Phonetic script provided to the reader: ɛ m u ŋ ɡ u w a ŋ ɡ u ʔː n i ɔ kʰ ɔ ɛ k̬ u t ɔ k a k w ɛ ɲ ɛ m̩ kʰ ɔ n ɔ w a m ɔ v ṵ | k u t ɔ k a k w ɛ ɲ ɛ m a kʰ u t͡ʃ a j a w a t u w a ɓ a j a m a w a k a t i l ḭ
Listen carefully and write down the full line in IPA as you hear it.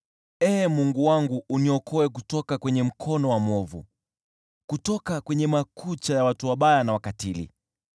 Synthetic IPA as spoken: ɛ m u ŋ ɡ u w a ŋ ɡ u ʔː n i ɔ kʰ ɔ ɛ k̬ u t ɔ k a k w ɛ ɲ ɛ m̩ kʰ ɔ n ɔ w a m ɔ v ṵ | k u t ɔ k a k w ɛ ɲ ɛ m a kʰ u t͡ʃ a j a w a t u w a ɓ a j a n a w a k a t i l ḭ